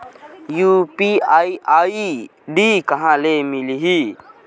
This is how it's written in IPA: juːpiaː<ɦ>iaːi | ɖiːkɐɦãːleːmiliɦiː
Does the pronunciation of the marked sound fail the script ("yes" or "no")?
yes